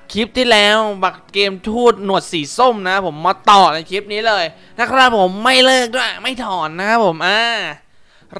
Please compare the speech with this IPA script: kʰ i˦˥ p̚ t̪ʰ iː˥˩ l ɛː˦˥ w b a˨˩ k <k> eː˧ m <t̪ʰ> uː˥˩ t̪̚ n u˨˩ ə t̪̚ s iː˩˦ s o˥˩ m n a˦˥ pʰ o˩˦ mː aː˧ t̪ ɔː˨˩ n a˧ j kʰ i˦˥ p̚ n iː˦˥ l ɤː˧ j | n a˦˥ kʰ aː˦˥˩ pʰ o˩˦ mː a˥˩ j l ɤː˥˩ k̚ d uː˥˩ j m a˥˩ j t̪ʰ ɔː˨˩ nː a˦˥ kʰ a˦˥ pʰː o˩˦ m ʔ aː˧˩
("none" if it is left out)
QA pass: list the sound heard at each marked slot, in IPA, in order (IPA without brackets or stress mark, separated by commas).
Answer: k, t̪ʰ